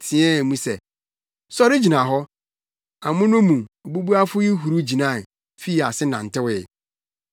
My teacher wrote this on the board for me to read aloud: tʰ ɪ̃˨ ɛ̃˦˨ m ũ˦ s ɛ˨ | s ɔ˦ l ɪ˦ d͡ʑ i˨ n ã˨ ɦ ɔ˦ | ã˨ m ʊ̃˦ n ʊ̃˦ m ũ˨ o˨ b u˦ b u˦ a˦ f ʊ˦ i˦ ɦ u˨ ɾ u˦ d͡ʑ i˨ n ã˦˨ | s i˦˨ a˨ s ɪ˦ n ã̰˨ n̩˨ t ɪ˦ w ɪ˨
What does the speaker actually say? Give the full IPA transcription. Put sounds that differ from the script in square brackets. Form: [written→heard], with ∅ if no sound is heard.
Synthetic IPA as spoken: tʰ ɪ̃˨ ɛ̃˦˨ m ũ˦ s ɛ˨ | s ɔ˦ [l→ɾ] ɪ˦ d͡ʑ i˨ n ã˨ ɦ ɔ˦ | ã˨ m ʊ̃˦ n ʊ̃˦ m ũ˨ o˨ b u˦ b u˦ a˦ f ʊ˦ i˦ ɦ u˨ ɾ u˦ d͡ʑ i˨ n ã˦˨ | [s→f] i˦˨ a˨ s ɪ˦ n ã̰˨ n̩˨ t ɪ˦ w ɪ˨